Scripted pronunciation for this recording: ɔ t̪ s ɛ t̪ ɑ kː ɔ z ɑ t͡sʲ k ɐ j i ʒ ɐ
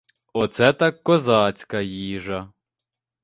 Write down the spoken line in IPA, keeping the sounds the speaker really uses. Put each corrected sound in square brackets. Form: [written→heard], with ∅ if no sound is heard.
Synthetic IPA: ɔ t̪ s ɛ t̪ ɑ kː ɔ z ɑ t͡sʲ k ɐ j i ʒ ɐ